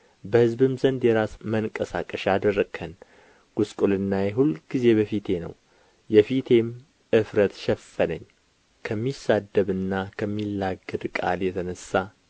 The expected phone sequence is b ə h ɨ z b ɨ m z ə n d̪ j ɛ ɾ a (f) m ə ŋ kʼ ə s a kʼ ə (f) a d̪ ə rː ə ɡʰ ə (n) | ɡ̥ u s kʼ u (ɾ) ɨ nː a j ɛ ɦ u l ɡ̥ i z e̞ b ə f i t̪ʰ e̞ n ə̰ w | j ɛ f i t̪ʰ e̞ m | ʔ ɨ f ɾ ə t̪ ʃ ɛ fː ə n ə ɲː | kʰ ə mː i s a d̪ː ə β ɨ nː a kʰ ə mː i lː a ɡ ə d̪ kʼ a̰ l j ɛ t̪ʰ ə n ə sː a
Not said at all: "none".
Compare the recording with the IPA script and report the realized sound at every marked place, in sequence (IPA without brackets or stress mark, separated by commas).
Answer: s, ʃ, n, l